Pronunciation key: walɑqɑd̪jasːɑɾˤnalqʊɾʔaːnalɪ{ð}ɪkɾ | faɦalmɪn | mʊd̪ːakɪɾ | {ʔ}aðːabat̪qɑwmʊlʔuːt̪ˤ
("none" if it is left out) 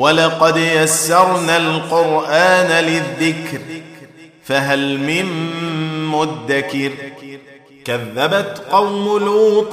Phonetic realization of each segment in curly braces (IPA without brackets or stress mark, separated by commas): ðː, k